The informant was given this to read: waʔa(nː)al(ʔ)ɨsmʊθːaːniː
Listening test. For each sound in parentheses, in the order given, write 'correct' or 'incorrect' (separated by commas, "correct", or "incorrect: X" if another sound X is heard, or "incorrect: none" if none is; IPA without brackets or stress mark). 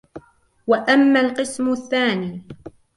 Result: incorrect: mː, incorrect: q